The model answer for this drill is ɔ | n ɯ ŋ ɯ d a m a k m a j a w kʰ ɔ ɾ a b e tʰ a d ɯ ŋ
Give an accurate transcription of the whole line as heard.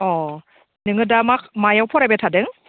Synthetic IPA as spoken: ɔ | n ɯ ŋ ɯ d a m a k m a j a w pʰ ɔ ɾ a b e tʰ a d ɯ ŋ